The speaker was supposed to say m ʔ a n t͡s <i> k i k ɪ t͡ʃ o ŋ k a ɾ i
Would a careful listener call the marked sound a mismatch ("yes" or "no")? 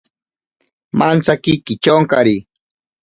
yes